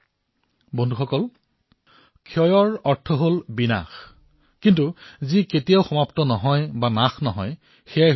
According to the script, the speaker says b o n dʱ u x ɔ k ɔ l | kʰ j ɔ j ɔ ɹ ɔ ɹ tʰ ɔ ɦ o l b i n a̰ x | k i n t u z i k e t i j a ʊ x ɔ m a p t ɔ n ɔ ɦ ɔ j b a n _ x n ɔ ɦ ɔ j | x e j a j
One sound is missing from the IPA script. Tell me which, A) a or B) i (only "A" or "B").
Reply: A